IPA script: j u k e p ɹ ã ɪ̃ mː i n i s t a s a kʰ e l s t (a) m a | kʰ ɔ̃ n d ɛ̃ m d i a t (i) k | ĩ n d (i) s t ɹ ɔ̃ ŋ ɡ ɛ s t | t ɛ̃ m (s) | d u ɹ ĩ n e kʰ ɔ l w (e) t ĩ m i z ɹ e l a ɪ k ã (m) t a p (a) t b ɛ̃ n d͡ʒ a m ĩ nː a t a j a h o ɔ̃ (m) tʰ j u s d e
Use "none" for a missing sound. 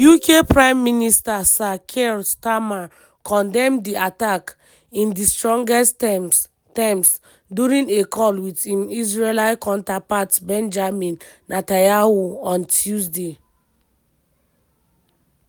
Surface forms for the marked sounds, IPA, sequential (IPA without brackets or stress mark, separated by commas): a, a, i, s, i, n, a, n